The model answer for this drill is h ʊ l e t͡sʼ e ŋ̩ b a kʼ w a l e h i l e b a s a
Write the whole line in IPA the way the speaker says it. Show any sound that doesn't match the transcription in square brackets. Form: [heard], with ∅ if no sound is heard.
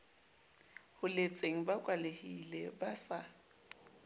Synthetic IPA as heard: h ʊ l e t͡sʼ e ŋ̩ b a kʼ w a l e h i l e b a s a

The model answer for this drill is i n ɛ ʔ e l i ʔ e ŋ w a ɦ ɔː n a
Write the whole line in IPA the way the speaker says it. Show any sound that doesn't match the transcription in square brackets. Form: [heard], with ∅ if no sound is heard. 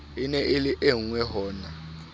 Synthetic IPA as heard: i n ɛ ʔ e l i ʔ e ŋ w [ɛ] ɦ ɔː n a

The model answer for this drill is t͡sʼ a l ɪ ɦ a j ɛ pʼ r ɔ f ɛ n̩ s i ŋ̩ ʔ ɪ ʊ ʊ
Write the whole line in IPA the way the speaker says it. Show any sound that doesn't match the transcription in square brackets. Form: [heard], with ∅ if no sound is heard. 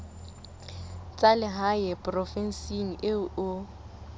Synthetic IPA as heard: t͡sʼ a l ɪ ɦ a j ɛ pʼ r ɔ f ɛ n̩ s i ŋ̩ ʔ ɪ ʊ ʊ

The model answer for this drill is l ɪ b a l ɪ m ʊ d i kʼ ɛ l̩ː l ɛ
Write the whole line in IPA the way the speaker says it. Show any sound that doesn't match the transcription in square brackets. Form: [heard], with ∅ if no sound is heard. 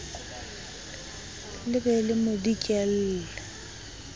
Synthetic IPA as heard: l ɪ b [ɛ] l ɪ m ʊ d i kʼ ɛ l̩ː l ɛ

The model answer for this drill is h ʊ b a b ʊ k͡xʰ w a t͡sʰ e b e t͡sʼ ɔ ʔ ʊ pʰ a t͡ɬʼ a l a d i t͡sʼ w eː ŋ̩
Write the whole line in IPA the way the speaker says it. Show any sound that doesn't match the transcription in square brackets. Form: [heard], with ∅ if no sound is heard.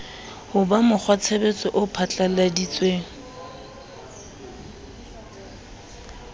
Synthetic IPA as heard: h ʊ b a [m] ʊ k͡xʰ w a t͡sʰ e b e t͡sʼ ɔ ʔ ʊ pʰ a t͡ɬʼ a l a d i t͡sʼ w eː ŋ̩

